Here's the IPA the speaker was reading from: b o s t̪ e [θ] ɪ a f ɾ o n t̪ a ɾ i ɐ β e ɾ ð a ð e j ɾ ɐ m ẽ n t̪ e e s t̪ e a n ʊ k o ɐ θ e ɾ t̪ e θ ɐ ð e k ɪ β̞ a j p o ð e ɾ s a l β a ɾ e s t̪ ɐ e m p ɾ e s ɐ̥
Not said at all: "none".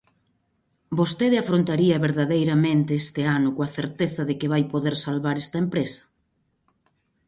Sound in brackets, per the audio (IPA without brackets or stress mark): ð